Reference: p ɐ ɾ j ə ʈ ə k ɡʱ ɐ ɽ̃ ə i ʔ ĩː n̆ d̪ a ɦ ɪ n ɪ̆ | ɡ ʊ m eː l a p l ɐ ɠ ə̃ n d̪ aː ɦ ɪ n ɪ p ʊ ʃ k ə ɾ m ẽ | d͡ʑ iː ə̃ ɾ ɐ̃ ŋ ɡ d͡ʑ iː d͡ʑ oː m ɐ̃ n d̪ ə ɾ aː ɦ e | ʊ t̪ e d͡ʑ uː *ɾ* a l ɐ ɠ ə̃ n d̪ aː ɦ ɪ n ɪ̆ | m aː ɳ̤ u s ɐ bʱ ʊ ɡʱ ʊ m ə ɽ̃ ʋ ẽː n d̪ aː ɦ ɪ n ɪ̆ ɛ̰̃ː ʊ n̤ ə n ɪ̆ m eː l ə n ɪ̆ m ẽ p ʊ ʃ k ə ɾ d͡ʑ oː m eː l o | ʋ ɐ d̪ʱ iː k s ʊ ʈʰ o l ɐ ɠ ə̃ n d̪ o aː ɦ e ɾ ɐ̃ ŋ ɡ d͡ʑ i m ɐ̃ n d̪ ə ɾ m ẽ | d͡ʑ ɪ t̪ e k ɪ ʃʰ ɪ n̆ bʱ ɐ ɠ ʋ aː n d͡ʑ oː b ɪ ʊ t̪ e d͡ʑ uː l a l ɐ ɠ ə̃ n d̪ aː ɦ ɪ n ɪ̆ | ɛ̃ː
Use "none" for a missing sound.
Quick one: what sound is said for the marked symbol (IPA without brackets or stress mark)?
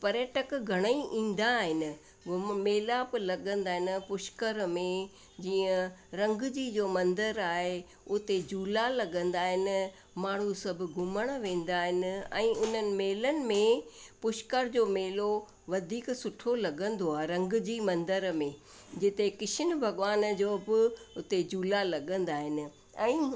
l